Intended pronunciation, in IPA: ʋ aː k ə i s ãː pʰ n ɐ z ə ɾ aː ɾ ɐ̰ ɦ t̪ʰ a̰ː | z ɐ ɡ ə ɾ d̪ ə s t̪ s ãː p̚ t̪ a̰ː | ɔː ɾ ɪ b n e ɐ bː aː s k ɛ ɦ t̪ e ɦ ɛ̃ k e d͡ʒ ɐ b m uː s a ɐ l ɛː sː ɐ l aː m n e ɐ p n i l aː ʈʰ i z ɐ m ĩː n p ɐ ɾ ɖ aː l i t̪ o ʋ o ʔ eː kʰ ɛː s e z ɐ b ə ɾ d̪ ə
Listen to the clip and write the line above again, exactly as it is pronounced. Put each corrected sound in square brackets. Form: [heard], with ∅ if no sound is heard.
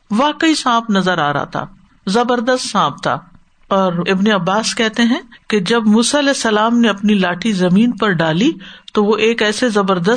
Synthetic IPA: ʋ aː k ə i s ãː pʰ n ɐ z ə ɾ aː ɾ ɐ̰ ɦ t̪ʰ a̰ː | z ɐ [b] ə ɾ d̪ ə s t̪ s ãː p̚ t̪ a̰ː | ɔː ɾ ɪ b n e ɐ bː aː s k ɛ ɦ t̪ e ɦ ɛ̃ k e d͡ʒ ɐ b m uː s a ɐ l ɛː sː ɐ l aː m n e ɐ p n i l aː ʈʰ i z ɐ m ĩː n p ɐ ɾ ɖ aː l i t̪ o ʋ o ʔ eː [k] ɛː s e z ɐ b ə ɾ d̪ ə